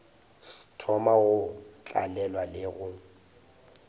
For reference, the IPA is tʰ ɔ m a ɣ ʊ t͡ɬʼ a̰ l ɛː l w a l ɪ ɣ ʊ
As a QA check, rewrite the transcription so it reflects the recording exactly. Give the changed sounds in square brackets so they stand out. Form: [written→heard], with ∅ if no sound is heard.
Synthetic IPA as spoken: tʰ ɔ m a ɣ ʊ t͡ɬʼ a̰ l [ɛː→ɛ] l w a l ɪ ɣ ʊ